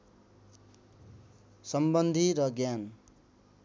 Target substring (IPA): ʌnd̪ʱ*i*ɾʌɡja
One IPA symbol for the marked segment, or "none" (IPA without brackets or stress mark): i